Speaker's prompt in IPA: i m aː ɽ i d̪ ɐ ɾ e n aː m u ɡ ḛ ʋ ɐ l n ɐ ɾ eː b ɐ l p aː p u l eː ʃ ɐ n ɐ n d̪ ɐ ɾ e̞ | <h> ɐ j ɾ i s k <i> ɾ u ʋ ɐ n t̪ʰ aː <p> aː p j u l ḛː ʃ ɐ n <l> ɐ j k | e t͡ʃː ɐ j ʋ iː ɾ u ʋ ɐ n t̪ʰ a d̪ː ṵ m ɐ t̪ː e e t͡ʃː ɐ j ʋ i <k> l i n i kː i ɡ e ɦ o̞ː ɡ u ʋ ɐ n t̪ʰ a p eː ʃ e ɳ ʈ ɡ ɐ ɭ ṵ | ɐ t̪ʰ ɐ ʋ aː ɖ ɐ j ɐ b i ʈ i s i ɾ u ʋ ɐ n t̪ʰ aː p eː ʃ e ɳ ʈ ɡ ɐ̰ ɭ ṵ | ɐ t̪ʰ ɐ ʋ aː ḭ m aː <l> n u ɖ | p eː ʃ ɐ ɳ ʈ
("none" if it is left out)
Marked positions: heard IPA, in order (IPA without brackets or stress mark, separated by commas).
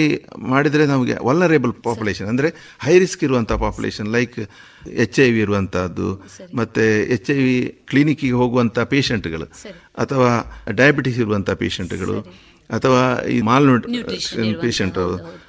h, i, p, l, k, l